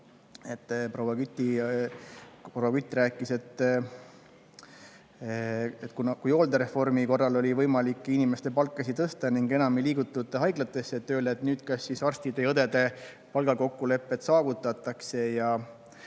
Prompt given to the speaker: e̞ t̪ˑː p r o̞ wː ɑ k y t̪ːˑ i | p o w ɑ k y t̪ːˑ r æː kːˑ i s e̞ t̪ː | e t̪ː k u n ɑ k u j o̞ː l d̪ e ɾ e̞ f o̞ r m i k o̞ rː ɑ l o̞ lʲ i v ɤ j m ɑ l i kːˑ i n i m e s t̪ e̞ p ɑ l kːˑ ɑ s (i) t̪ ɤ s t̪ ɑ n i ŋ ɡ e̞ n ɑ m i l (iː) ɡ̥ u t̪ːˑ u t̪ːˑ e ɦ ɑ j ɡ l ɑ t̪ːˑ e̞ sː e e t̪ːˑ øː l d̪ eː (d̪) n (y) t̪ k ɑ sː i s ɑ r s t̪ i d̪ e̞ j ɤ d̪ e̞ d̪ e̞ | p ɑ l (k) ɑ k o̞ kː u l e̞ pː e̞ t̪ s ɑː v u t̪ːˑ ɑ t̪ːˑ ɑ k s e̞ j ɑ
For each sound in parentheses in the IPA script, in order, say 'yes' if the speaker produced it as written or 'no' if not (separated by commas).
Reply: yes, yes, no, no, no